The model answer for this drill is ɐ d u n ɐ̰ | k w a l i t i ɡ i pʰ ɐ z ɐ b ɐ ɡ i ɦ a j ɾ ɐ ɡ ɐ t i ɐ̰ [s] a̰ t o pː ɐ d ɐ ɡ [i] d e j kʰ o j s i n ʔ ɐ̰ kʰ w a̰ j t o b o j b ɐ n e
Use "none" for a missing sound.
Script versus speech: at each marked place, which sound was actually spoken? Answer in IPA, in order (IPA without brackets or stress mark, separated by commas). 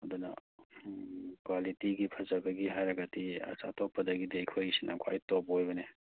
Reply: s, i